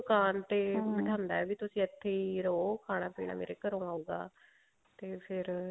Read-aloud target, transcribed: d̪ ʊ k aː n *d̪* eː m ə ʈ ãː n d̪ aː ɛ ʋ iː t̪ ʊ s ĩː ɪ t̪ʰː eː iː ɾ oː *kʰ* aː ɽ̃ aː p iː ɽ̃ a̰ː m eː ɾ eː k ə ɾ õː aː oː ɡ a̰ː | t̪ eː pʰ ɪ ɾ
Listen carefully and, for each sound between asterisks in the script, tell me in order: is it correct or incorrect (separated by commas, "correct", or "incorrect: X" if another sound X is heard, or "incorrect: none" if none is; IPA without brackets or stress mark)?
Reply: incorrect: t̪, correct